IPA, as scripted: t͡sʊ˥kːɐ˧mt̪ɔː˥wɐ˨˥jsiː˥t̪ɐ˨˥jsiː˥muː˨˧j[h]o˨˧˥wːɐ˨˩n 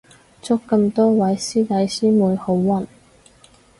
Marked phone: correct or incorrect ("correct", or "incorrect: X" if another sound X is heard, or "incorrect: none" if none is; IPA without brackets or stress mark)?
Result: correct